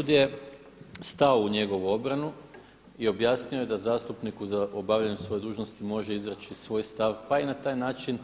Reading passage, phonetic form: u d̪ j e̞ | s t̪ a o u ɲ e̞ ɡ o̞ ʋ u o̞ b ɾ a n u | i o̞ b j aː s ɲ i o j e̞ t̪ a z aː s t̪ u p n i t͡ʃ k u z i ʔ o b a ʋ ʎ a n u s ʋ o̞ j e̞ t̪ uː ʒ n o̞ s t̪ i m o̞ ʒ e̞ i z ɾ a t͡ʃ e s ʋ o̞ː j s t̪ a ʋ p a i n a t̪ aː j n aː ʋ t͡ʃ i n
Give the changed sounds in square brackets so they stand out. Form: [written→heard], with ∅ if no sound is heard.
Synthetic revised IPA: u d̪ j e̞ | s t̪ a o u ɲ e̞ ɡ o̞ ʋ u o̞ b ɾ a n u | i o̞ b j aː s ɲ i o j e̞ [t̪→d̪] a z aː s t̪ u p n i [t͡ʃ→∅] k u z [i→a] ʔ o b a ʋ ʎ a [n→ɲ] u s ʋ o̞ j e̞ [t̪→d̪] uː ʒ n o̞ s t̪ i m o̞ ʒ e̞ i z ɾ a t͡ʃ [e→i] s ʋ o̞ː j s t̪ a ʋ p a i n a t̪ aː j n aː [ʋ→∅] t͡ʃ i n